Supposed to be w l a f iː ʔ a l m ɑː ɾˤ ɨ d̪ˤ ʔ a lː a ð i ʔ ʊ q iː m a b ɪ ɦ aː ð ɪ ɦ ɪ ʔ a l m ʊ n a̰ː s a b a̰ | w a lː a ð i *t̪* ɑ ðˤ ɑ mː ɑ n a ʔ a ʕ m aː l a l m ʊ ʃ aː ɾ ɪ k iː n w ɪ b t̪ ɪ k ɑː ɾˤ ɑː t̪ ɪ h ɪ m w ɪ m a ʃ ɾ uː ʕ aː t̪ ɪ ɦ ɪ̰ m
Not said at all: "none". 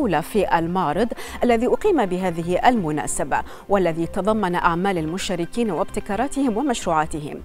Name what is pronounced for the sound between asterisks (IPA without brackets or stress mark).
t̪